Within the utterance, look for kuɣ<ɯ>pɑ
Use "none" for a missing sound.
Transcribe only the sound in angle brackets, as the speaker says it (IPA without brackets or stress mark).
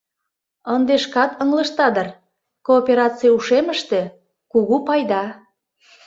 u